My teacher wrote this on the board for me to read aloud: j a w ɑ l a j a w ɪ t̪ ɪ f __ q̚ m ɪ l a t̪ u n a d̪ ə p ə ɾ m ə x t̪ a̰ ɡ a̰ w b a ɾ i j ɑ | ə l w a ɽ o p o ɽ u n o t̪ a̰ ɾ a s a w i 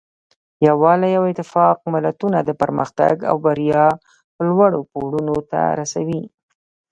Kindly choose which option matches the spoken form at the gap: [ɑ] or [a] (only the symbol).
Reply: ɑ